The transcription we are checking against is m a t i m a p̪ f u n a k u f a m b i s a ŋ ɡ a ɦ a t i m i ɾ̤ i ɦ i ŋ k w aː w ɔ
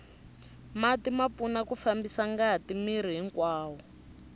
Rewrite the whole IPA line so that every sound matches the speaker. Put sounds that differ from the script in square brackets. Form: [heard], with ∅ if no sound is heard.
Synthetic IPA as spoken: m a t i m a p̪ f u n a k u f a m b i s a ŋ ɡ a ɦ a t i m i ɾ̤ i ɦ i ŋ k w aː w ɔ